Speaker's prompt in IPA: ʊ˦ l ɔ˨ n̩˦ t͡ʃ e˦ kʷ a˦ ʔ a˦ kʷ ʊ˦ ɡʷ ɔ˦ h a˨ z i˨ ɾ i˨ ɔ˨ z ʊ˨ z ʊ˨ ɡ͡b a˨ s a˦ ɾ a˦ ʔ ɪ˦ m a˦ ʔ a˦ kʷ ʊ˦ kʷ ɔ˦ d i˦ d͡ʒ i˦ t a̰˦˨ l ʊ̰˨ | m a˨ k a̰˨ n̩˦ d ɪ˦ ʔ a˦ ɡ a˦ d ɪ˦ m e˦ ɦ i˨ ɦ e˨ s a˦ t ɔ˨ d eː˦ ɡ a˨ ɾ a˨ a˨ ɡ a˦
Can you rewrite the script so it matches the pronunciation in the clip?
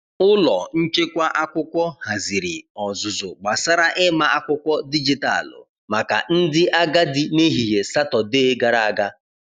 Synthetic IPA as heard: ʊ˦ l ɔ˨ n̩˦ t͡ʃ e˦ kʷ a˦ ʔ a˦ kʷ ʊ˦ kʷ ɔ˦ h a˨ z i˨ ɾ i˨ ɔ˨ z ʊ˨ z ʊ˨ ɡ͡b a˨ s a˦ ɾ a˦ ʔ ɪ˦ m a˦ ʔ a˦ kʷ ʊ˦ kʷ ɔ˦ d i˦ d͡ʒ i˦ t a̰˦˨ l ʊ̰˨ | m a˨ k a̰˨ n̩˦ d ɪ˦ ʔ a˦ ɡ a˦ d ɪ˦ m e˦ ɦ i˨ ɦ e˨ s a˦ t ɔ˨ d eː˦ ɡ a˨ ɾ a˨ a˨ ɡ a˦

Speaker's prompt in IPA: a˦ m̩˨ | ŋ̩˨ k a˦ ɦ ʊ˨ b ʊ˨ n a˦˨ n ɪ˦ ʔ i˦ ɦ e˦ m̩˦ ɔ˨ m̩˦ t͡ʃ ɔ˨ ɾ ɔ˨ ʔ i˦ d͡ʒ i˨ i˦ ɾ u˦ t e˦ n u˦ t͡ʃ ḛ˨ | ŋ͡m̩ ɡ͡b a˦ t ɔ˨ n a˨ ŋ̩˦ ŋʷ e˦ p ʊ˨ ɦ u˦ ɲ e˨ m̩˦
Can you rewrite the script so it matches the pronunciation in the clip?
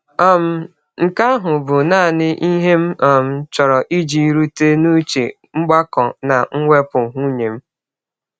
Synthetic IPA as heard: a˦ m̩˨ | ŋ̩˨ k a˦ ɦ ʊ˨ b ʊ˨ n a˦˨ n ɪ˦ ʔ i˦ ɦ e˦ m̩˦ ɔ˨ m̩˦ t͡ʃ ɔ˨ ɾ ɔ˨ ʔ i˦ d͡ʒ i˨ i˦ ɾ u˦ t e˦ n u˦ t͡ʃ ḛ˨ | ŋ͡m̩ ɡ͡b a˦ k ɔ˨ n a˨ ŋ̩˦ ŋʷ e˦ p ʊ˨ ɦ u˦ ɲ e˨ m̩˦

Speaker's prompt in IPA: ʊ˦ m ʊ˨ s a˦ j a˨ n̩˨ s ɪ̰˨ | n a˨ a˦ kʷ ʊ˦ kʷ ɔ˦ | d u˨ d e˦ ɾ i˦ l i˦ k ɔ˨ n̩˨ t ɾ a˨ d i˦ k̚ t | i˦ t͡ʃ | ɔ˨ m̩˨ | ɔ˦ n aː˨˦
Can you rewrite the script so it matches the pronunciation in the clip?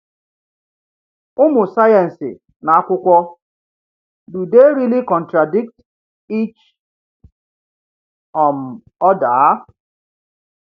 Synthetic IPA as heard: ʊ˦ m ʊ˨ s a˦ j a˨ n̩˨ s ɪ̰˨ | n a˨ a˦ kʷ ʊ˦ kʷ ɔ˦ | d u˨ d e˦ ɾ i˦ l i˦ k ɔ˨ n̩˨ t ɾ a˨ d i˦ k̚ t | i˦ t͡ʃ | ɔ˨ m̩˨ | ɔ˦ d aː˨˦

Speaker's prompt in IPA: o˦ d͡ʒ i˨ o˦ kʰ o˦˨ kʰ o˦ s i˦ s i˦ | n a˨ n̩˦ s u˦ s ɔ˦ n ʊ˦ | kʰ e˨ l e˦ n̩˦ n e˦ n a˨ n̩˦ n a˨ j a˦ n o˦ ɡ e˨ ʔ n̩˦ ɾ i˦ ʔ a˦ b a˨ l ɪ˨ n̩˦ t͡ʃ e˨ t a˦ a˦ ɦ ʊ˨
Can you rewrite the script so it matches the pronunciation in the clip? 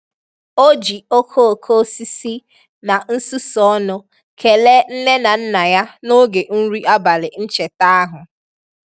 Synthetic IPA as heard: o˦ d͡ʒ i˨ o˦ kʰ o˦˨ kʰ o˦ s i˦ s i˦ | n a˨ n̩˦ s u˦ s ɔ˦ n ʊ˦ | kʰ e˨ l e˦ n̩˦ n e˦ n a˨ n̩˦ n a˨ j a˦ n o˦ ɡ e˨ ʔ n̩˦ ɾ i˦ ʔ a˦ b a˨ l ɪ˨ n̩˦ t͡ʃ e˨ t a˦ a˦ ɦ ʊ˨

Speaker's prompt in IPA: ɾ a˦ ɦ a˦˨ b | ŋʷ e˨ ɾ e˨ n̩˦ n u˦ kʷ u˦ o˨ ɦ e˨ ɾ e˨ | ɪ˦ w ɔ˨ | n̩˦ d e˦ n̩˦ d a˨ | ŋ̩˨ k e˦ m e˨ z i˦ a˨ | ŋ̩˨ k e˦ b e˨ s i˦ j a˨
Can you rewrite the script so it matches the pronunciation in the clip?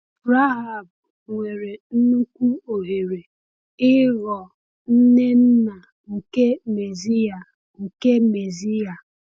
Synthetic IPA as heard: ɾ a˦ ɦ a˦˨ b | ŋʷ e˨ ɾ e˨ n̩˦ n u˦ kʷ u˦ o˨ ɦ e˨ ɾ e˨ | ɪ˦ ɣ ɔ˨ | n̩˦ n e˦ n̩˦ n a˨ | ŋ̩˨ k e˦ m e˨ z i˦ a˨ | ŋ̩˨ k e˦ m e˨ z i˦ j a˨

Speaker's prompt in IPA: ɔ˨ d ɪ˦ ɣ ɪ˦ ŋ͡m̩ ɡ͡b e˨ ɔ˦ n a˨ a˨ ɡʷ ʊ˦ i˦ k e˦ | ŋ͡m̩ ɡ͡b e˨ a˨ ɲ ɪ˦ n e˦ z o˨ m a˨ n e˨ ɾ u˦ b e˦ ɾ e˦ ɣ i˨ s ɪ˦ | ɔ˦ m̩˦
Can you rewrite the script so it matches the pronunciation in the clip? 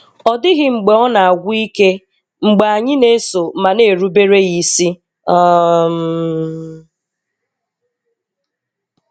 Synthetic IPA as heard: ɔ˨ d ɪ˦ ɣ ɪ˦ ŋ͡m̩ ɡ͡b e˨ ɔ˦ n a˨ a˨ ɡʷ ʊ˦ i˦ k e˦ | ŋ͡m̩ ɡ͡b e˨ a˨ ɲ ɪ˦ n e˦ s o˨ m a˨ n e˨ ɾ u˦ b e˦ ɾ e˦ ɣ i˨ s i˦ | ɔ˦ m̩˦

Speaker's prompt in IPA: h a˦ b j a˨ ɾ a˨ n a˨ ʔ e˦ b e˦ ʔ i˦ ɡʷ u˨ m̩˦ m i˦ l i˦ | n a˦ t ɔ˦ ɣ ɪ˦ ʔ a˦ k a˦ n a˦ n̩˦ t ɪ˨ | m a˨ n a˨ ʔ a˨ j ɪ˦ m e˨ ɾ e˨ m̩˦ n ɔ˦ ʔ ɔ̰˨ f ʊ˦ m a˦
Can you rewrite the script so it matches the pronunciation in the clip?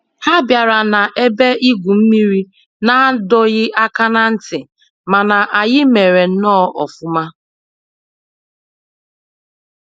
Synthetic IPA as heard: h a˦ b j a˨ ɾ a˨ n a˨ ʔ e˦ b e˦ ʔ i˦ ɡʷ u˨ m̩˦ m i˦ ɾ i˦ | n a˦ d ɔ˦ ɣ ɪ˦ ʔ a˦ k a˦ n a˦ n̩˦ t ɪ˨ | m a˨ n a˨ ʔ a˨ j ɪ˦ m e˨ ɾ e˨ n̩˦ n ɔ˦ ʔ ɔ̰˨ f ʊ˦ m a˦

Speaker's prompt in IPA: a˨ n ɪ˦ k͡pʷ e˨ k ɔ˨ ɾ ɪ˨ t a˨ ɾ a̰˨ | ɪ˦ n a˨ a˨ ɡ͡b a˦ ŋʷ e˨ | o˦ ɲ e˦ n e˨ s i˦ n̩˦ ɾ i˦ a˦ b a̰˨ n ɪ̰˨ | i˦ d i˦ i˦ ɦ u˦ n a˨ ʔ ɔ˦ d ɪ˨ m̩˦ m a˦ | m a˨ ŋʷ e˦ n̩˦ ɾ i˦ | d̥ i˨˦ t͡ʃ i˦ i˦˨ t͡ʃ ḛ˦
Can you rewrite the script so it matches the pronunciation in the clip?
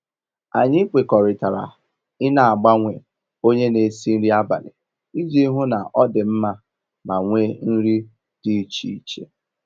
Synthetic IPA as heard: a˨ ɲ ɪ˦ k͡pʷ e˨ k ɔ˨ ɾ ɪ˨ t a˨ ɾ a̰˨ | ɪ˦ n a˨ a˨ ɡ͡b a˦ ŋʷ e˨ | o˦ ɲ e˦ n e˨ s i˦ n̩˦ ɾ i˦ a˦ b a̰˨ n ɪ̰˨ | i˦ d͡ʒ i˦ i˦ ɦ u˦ n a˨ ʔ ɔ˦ d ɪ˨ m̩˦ m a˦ | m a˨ ŋʷ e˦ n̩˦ ɾ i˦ | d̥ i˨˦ t͡ʃ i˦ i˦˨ t͡ʃ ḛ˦

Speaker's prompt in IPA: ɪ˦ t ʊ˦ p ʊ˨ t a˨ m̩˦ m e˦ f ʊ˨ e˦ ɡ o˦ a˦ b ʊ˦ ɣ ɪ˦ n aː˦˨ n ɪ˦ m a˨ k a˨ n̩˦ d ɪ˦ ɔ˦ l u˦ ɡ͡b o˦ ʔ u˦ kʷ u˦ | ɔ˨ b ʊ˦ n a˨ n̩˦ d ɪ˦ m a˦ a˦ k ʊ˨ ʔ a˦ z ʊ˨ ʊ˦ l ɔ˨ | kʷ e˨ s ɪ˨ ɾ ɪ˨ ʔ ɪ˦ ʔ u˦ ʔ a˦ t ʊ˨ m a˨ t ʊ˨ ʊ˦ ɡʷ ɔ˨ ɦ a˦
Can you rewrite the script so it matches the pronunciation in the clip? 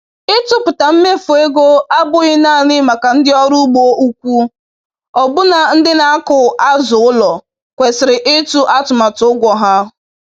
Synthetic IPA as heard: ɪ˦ t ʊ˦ p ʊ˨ t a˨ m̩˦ m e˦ f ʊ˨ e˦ ɡ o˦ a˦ b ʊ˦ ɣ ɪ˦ n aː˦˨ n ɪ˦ m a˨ k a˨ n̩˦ d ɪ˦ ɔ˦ ɾ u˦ ɡ͡b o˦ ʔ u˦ kʷ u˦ | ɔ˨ b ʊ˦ n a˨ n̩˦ d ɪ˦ n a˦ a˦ k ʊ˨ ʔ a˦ z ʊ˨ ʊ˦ l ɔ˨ | kʷ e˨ s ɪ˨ ɾ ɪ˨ ʔ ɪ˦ t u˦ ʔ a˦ t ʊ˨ m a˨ t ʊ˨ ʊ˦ ɡʷ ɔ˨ ɦ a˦

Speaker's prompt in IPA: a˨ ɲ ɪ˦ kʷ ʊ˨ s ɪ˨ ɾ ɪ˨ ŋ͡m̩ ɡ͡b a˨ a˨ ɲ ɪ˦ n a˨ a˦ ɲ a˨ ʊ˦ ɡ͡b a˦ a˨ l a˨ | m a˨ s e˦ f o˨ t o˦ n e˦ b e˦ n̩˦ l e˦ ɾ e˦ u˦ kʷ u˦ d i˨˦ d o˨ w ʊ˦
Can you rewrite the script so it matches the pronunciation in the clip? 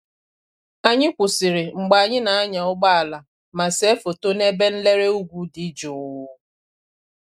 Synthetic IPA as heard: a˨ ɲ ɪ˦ kʷ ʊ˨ s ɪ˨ ɾ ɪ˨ ŋ͡m̩ ɡ͡b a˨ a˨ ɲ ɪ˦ n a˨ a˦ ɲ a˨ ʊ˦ ɡ͡b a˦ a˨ l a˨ | m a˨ s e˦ f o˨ t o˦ n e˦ b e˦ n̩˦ l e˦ ɾ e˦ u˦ ɡʷ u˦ d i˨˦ d͡ʒ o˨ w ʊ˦

